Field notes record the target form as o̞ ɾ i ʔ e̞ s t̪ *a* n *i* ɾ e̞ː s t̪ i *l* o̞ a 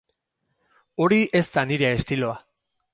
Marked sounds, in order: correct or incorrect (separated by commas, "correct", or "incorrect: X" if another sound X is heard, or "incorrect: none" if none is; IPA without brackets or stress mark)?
correct, correct, correct